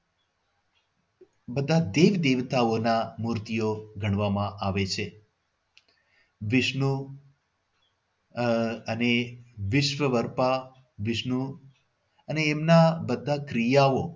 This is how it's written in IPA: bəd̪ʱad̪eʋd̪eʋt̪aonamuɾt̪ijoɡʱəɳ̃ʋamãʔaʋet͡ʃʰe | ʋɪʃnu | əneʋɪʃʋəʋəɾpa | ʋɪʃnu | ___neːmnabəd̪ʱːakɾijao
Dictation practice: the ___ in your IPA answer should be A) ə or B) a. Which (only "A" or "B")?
A